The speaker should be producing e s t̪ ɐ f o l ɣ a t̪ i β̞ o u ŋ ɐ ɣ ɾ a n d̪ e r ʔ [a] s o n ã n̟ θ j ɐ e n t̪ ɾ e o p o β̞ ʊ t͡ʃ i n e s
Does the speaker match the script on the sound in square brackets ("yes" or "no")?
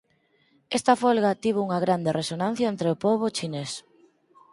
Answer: no